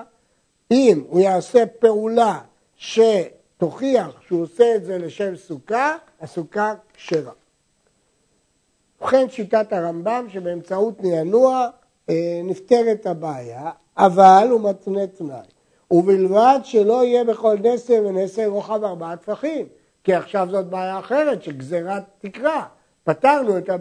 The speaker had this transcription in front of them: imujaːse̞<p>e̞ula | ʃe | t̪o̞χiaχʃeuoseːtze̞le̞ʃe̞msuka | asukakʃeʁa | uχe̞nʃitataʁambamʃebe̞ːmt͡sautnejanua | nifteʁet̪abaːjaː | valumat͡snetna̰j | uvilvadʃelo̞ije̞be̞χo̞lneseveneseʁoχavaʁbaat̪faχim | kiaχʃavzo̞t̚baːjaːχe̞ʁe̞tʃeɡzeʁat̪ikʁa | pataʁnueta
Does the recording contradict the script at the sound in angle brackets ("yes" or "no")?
no